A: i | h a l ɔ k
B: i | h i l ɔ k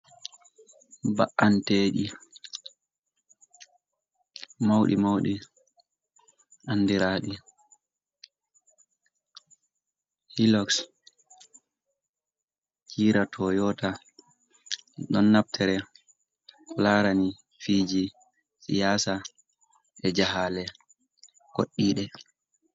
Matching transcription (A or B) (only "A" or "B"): B